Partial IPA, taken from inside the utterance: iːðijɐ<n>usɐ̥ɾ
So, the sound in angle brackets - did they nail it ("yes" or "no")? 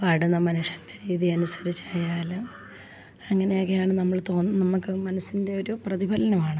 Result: yes